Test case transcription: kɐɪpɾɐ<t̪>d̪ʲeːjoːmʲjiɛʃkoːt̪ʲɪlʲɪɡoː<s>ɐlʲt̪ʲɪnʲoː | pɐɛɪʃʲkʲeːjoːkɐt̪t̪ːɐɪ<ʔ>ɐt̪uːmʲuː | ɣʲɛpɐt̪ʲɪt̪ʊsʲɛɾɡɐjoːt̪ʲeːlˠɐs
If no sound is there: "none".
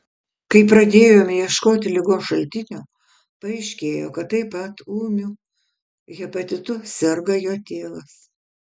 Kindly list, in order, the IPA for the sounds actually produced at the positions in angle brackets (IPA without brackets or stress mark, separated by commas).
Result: none, ʃ, p